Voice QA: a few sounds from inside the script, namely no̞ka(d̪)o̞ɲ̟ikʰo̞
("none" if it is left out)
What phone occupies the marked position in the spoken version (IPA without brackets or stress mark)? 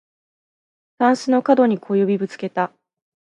d̪